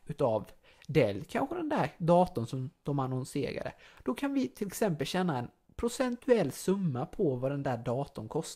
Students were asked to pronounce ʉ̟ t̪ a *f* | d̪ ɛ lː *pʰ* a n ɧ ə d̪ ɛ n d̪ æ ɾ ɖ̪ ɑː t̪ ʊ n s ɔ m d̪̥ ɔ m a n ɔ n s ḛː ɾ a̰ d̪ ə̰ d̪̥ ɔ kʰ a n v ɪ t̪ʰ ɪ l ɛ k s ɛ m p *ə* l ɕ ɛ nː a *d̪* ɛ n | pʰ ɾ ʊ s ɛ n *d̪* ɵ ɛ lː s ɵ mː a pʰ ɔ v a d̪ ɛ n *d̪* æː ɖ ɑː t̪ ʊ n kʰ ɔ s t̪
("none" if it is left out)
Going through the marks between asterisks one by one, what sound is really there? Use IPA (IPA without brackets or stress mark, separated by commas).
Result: v, kʰ, ə, none, t̪, d̪